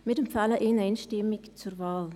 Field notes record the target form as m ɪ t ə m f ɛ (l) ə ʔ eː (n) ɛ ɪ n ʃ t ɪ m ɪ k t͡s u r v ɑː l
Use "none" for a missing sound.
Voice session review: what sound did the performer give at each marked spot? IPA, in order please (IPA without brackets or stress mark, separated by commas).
l, n